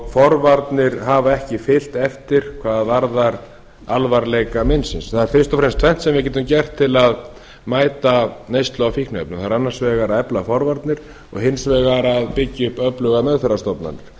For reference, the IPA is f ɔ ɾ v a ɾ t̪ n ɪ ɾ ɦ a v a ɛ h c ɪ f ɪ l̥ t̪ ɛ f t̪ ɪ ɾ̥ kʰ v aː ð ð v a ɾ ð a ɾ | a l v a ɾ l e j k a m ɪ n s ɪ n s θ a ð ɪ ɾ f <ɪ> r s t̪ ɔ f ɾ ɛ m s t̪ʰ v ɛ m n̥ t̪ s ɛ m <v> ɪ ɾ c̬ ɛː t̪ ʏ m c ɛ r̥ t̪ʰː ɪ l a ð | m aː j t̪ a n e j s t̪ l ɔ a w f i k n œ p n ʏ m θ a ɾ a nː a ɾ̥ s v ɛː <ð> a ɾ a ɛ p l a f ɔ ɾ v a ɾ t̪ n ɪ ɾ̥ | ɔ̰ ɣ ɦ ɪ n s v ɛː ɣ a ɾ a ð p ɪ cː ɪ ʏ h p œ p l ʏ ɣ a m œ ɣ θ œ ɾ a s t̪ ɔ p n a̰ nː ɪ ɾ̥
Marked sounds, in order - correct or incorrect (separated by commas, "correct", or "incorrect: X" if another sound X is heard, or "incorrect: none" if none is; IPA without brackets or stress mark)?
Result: correct, correct, incorrect: ɣ